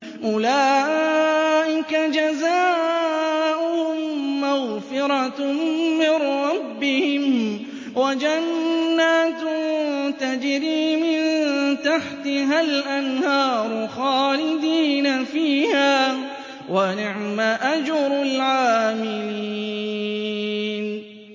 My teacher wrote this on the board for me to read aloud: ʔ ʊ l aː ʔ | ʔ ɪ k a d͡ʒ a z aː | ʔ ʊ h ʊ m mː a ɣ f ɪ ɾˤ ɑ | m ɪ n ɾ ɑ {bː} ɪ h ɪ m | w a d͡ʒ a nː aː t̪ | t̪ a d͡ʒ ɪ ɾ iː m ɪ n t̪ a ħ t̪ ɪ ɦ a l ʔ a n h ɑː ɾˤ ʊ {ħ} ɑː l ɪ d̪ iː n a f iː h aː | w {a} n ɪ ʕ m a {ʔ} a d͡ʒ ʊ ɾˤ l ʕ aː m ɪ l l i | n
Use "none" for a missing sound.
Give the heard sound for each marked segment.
bː, x, a, ʔ

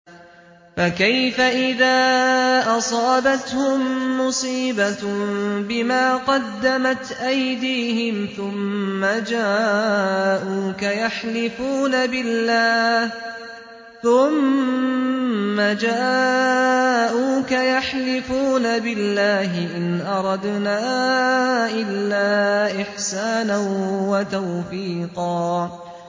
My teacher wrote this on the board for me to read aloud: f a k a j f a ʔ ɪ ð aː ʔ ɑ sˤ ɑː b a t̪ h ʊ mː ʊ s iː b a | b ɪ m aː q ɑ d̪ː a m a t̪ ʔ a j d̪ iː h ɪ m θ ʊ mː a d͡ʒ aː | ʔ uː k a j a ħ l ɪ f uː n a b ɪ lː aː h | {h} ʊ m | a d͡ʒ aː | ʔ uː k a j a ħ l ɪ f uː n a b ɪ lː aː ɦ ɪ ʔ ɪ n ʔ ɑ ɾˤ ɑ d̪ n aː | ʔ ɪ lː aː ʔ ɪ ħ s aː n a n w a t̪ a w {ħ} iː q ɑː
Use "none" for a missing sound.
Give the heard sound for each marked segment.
θ, f

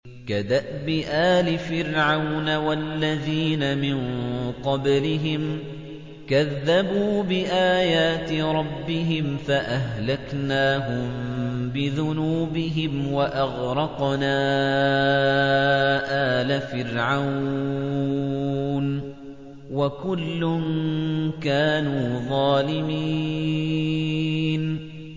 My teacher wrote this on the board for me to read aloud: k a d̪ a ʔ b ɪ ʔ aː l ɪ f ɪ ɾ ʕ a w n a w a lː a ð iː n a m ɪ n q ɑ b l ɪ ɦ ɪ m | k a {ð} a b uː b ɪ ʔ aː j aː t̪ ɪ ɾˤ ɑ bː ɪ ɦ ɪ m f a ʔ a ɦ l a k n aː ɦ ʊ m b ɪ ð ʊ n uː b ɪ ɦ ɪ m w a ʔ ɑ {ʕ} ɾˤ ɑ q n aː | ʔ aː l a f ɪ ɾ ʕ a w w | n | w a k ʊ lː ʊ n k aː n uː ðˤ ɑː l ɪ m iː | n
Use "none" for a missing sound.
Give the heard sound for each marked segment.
ðː, ɣ

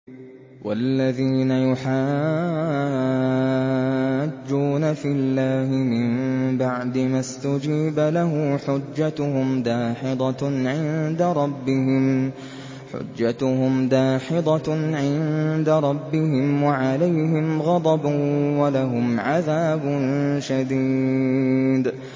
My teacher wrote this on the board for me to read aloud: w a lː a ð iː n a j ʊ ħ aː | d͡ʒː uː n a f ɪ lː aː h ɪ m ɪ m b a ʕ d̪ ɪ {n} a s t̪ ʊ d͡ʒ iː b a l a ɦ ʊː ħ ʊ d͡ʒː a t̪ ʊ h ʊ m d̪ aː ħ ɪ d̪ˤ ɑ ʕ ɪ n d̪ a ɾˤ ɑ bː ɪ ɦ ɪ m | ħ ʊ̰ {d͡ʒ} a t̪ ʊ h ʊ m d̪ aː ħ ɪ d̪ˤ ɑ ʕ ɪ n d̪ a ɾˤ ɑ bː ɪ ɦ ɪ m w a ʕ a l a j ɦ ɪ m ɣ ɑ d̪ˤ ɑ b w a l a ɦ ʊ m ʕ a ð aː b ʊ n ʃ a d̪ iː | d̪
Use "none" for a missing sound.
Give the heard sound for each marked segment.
m, d͡ʒː

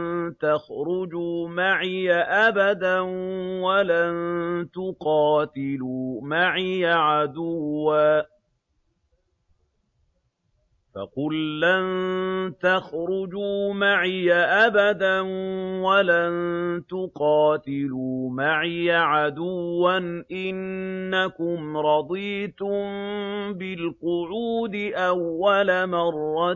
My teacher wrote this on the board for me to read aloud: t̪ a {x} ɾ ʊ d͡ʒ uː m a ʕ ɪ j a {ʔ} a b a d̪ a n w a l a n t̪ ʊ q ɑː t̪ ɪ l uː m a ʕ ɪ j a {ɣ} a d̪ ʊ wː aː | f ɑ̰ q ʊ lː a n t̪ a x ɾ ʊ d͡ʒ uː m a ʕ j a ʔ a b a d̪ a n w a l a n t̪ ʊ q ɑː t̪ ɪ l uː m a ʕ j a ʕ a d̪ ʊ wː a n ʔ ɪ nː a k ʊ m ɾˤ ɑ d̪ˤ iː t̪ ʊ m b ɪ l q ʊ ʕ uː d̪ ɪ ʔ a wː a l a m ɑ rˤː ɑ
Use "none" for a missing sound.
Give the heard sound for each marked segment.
x, ʔ, ʕ

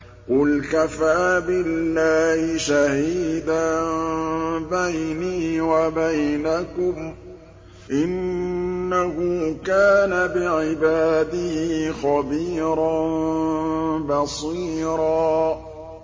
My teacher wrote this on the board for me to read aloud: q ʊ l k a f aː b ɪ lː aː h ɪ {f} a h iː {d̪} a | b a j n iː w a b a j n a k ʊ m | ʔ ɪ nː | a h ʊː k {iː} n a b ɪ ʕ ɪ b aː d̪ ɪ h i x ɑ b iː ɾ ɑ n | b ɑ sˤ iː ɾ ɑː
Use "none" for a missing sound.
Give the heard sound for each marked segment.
ʃ, d̪, aː

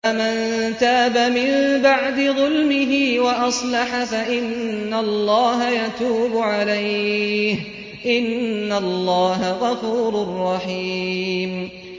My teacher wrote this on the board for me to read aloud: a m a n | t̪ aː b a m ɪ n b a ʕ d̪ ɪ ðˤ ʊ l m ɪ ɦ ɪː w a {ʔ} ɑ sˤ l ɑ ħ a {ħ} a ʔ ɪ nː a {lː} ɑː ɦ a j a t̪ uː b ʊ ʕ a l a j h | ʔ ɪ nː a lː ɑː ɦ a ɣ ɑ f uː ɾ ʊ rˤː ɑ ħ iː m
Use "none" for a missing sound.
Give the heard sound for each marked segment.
ʔ, f, lː

